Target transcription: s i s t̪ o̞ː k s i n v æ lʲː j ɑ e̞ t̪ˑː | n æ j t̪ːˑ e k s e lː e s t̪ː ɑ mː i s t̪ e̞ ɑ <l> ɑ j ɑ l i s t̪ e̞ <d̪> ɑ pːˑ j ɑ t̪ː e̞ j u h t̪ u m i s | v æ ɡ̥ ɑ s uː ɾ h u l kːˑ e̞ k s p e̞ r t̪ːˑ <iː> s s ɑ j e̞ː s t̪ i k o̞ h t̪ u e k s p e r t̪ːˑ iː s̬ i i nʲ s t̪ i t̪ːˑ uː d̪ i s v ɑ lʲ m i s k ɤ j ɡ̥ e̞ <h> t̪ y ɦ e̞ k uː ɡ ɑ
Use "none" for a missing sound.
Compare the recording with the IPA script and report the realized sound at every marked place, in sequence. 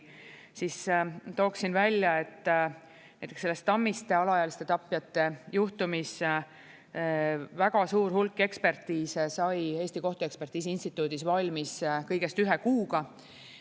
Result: l, t̪, iː, s

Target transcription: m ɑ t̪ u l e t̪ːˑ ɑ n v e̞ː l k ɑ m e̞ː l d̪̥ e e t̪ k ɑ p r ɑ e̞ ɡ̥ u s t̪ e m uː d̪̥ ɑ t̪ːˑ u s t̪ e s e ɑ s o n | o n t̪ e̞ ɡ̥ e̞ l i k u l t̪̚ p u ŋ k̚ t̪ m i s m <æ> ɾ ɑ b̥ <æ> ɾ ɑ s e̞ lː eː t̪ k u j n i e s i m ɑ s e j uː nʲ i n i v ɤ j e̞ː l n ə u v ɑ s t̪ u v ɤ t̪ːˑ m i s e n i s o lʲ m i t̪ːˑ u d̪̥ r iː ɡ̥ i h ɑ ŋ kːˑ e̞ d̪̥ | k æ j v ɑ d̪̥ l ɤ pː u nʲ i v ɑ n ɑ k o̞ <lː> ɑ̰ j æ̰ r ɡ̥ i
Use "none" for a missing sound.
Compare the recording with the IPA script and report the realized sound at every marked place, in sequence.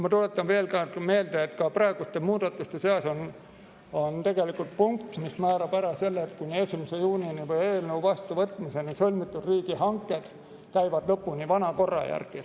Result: æː, æ, rː

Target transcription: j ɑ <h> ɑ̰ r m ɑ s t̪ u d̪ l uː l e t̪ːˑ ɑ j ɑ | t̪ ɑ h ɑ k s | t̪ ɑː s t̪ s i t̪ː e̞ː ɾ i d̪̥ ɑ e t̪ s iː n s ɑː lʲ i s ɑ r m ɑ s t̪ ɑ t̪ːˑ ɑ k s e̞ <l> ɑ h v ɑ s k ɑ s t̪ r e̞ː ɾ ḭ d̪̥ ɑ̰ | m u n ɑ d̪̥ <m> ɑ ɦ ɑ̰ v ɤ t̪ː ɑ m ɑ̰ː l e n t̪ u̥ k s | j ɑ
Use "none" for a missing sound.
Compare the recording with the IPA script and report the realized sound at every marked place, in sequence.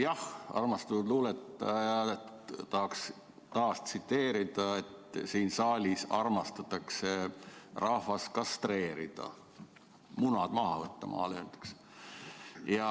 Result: h, r, m

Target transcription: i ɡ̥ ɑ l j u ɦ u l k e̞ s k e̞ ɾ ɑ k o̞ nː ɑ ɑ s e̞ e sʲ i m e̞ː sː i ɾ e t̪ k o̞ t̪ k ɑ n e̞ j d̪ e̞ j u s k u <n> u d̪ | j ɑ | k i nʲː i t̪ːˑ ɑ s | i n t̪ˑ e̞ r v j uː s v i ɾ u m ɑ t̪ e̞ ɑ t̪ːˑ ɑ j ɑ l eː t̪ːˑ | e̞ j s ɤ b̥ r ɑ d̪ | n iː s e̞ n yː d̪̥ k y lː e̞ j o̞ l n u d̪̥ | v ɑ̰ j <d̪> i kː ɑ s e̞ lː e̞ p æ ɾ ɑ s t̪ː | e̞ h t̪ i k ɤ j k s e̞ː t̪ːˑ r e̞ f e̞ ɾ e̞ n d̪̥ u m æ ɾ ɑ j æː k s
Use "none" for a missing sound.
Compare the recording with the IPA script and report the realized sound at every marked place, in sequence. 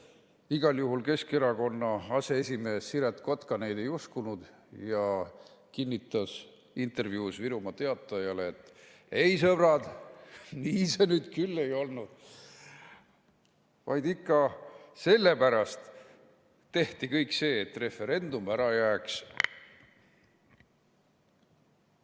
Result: n, d̪

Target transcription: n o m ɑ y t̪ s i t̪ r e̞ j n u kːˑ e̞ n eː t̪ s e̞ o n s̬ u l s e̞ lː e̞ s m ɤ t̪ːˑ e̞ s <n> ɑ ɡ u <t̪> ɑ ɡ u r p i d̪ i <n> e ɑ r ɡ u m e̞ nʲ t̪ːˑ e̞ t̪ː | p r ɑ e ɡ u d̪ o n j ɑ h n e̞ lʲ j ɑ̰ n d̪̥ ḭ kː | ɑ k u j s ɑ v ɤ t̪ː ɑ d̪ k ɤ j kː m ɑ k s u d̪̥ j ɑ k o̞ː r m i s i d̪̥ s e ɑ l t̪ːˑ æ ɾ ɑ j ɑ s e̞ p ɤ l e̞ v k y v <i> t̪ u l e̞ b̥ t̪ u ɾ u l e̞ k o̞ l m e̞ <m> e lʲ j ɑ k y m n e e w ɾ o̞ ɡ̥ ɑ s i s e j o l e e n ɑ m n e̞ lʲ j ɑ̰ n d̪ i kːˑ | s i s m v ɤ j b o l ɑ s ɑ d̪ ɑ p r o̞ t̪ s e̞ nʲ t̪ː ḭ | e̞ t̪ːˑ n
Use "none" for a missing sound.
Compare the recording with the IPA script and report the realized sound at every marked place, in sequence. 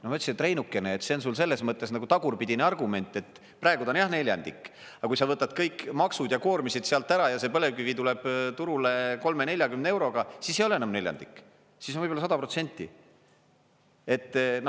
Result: n, t̪, n, i, n

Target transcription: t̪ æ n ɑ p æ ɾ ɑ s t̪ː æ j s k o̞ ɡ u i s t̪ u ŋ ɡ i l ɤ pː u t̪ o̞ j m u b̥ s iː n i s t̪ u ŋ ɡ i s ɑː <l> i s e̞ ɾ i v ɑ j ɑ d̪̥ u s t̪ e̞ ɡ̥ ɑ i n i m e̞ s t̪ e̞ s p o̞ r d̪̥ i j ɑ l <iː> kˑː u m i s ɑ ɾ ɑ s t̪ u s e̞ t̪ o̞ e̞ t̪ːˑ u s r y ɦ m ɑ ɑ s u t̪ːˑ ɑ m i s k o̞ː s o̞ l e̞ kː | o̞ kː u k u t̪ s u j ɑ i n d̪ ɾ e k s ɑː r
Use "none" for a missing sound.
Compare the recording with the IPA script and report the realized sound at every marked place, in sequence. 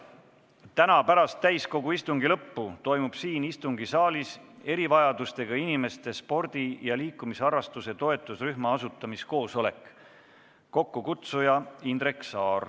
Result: l, iː

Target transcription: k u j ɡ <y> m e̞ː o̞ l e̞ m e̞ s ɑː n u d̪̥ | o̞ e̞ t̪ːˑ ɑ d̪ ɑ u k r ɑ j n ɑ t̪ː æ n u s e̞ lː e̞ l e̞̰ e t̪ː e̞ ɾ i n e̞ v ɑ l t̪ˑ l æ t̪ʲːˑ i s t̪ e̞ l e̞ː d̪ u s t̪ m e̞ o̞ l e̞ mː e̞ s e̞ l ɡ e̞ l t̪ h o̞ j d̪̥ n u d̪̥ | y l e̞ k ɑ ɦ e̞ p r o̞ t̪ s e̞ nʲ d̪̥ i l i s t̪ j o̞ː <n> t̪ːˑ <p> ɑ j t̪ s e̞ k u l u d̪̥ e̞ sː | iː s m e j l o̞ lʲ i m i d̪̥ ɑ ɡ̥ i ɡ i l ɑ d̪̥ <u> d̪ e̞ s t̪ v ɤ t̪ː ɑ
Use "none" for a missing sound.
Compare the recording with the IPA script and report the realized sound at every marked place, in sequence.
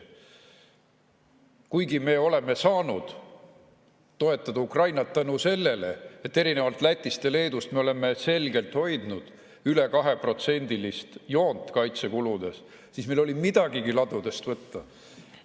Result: i, n, k, u

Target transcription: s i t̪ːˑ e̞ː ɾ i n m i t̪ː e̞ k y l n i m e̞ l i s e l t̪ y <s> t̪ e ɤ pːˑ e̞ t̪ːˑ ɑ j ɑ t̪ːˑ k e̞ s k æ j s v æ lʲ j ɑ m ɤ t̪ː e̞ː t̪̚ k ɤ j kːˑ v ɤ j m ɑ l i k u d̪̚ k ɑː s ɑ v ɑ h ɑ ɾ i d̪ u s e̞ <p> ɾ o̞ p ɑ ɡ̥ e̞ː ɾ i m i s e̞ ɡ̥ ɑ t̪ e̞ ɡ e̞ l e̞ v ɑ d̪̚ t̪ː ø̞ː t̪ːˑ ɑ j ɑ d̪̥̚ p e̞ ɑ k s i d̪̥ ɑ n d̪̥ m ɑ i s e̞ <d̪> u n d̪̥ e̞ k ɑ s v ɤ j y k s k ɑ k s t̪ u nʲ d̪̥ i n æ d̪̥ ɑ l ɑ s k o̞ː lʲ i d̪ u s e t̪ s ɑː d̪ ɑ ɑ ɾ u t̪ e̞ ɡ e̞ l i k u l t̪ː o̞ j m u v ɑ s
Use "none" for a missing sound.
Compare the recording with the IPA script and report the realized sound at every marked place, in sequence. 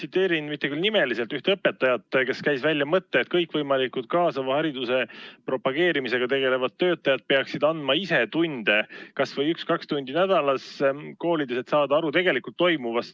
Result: h, p, t̪

